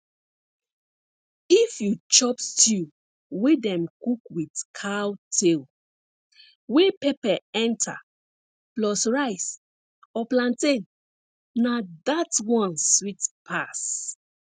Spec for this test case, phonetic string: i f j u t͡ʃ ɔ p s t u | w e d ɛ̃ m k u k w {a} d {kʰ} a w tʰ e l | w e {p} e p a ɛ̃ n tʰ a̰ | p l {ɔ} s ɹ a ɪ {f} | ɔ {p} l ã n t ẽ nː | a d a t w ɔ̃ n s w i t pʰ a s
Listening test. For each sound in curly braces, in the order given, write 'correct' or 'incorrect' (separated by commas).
incorrect, correct, correct, correct, incorrect, correct